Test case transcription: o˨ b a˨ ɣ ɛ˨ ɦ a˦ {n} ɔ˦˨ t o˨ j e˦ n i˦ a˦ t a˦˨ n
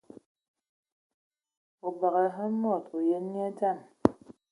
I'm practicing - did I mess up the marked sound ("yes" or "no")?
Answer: yes